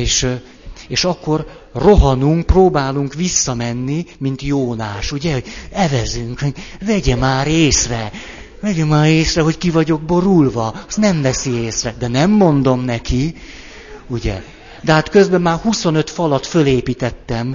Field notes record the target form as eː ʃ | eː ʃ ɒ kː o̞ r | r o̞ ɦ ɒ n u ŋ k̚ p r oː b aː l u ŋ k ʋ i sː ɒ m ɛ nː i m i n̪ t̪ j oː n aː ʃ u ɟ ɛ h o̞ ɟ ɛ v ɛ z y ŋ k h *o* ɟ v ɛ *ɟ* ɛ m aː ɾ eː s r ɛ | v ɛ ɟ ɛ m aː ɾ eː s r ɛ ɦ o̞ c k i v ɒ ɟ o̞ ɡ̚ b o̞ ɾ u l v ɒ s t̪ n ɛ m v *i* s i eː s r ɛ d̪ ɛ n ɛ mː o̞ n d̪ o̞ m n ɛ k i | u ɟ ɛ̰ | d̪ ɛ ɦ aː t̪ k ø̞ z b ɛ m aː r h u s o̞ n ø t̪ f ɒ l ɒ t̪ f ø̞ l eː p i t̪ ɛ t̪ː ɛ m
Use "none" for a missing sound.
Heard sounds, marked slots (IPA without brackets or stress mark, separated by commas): o, ɟ, ɛ